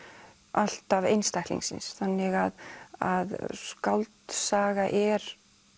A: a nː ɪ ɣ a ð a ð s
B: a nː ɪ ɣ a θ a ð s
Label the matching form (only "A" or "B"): A